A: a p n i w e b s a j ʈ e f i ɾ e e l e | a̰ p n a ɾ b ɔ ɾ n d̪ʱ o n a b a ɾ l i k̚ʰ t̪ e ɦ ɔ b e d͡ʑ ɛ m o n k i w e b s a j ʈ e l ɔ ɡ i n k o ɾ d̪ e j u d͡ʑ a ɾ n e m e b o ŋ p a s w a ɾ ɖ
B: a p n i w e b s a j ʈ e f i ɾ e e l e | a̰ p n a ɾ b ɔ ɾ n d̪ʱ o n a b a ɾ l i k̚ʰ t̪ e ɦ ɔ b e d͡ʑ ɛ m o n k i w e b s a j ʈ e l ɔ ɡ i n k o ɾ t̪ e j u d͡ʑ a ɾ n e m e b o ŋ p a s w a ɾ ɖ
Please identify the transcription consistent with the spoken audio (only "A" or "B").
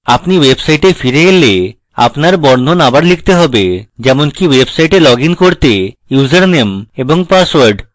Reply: B